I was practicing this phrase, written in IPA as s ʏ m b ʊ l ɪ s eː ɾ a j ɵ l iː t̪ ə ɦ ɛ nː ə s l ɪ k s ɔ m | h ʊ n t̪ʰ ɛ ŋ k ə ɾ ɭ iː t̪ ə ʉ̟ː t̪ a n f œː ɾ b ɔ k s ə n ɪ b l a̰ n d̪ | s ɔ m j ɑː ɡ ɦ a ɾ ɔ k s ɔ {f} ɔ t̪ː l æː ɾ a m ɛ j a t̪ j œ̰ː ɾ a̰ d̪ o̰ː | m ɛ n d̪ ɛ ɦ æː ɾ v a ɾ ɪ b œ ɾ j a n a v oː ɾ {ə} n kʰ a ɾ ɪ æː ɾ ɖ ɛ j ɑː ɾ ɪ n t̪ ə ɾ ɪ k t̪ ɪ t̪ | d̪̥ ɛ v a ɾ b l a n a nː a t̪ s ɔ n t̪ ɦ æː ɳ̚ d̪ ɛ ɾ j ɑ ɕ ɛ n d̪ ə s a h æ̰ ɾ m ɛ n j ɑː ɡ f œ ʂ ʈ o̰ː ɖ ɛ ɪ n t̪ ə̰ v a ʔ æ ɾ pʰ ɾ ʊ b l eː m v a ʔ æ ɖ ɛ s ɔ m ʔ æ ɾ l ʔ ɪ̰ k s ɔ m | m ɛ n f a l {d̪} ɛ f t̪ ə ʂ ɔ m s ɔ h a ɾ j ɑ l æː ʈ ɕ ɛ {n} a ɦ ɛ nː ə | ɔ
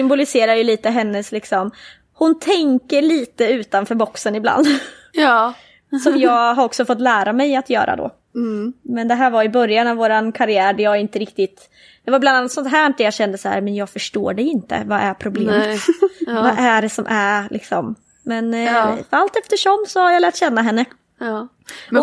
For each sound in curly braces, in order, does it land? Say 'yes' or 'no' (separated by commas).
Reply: yes, no, no, no